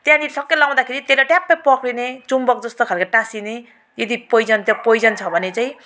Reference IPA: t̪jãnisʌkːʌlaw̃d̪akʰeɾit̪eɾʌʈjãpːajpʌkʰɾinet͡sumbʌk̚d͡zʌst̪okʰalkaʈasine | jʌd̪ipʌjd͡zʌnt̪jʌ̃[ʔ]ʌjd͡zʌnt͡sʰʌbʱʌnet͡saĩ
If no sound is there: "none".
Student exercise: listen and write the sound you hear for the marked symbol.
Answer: p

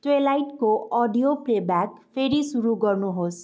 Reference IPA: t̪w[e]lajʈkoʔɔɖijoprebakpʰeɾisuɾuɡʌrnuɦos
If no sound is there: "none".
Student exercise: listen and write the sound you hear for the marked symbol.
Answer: e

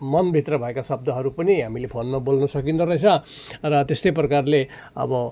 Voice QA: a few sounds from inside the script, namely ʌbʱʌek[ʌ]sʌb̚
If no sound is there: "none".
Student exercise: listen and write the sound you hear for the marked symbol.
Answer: a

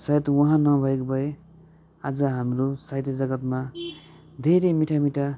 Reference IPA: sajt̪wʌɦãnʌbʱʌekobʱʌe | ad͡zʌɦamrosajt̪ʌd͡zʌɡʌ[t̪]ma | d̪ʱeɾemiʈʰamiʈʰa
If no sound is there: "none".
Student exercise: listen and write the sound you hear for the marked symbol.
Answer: t̪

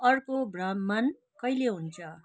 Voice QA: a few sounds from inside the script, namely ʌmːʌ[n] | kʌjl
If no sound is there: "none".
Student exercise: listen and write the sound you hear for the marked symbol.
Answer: n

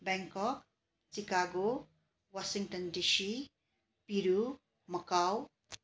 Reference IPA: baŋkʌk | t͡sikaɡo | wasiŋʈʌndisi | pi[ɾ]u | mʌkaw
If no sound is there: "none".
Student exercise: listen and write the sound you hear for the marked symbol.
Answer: ɾ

